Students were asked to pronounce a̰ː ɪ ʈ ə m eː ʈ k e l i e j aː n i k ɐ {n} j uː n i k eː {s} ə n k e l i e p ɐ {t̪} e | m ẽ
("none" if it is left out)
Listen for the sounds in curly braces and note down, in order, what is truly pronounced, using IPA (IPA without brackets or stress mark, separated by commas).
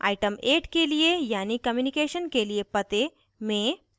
m, ʃ, t̪